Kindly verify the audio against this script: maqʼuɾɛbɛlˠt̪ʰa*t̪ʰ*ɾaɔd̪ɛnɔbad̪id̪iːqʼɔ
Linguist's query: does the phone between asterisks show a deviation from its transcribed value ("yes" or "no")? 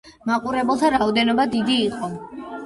yes